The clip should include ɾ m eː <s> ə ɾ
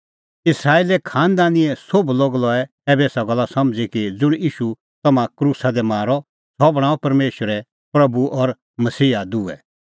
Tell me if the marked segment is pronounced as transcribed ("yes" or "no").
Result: no